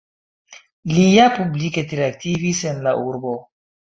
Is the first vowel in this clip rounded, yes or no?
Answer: no